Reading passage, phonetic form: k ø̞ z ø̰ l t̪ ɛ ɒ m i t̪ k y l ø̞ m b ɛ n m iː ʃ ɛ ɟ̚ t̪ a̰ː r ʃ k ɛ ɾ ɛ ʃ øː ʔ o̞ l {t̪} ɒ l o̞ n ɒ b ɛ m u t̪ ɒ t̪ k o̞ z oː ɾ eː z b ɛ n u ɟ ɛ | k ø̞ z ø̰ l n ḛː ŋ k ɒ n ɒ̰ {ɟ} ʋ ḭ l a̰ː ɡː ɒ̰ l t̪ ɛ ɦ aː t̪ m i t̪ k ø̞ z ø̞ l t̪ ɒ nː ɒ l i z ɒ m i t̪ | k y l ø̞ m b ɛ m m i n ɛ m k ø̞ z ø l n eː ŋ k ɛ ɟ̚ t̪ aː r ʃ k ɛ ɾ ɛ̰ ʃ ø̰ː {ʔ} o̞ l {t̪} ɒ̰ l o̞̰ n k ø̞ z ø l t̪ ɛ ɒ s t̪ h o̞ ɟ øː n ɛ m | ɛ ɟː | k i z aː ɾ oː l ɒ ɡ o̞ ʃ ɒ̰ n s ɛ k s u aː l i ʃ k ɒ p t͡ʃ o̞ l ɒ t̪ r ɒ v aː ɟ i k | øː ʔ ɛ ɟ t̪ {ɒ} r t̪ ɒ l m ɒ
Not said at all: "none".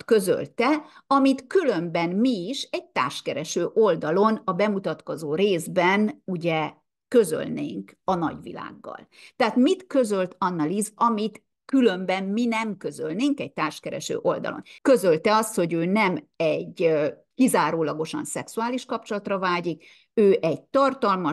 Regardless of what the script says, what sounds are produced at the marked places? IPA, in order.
d̪, ɟ, ʔ, d̪, ɒ

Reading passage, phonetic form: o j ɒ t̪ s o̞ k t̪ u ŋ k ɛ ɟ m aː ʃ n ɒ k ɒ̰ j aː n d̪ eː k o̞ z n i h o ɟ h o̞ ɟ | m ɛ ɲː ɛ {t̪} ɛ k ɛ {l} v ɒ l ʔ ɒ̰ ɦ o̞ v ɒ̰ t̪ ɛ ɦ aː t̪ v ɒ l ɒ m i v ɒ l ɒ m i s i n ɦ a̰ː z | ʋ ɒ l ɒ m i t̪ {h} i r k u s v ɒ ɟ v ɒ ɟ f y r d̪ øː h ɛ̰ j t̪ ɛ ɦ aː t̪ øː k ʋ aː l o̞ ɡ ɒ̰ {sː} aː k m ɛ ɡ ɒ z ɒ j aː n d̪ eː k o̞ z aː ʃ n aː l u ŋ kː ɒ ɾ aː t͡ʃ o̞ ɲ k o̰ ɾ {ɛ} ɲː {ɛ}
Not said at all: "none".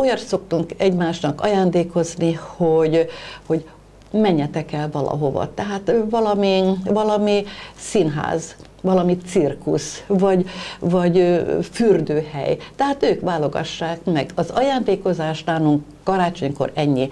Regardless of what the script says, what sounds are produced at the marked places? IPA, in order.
t̪, l, s, ʃː, ɛ, i

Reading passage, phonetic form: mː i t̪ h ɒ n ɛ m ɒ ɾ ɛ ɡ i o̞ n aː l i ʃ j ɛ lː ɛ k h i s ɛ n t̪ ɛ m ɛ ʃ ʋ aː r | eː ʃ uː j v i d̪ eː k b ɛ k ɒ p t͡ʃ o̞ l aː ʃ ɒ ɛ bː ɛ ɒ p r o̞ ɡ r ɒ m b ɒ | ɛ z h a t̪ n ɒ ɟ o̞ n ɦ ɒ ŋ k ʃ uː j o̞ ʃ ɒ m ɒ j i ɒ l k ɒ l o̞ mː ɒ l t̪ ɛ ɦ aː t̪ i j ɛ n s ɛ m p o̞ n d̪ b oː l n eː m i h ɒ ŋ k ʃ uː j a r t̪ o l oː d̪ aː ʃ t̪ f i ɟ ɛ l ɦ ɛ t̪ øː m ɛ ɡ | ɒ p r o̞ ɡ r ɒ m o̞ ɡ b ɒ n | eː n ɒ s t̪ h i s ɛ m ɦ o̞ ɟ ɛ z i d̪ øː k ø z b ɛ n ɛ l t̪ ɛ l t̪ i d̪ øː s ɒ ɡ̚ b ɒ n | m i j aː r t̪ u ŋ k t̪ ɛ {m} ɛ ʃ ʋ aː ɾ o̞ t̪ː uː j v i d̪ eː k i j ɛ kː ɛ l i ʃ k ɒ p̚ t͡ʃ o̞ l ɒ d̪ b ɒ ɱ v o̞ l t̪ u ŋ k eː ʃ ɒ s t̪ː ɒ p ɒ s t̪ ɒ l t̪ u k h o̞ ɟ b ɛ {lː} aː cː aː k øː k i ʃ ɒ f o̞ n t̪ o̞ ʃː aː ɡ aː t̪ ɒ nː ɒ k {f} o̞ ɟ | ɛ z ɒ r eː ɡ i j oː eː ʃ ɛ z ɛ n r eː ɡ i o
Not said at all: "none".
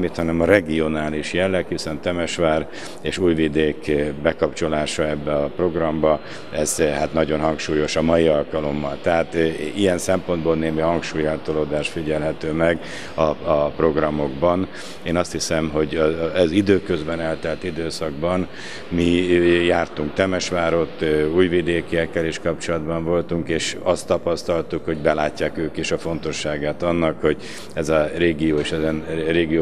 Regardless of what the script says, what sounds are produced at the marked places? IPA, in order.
m, l, h

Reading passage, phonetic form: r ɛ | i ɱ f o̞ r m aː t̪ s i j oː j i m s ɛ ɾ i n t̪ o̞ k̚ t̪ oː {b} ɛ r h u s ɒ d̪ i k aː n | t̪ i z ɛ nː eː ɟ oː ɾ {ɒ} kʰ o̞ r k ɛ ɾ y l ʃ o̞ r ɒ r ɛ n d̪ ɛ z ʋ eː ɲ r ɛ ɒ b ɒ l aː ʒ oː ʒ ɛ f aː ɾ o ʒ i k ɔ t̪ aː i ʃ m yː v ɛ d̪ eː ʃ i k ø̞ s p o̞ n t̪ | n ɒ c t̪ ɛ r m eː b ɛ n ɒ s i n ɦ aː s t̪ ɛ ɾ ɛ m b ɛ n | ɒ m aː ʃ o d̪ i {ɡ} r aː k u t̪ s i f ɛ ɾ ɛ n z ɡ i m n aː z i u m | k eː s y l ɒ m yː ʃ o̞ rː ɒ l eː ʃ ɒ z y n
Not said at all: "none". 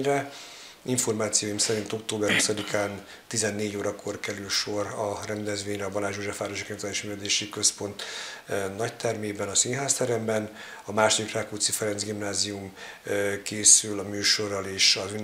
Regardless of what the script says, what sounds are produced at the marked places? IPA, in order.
b, ɒ, k

